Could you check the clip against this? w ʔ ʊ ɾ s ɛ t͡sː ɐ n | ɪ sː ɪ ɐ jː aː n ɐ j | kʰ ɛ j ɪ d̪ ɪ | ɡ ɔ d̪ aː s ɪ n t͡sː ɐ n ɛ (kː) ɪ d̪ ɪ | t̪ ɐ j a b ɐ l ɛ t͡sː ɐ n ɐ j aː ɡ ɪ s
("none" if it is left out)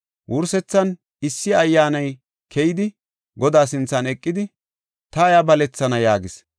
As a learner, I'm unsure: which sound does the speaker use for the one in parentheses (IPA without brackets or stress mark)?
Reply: kʼː